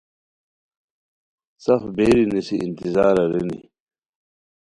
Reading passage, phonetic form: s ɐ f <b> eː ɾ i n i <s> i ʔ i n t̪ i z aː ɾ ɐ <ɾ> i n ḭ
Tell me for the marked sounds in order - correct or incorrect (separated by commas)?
correct, correct, correct